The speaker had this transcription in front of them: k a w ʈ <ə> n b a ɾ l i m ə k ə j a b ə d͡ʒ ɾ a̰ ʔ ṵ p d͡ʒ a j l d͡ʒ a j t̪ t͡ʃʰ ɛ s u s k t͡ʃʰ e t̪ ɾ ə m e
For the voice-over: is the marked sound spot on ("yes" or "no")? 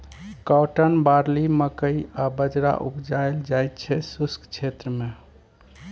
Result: yes